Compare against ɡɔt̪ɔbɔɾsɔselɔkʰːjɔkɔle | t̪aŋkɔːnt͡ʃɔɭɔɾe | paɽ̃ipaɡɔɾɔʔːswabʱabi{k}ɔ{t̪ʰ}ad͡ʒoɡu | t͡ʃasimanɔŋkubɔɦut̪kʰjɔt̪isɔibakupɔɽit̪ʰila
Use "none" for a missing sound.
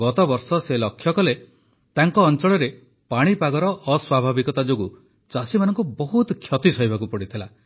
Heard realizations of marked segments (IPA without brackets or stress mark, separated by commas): k, t̪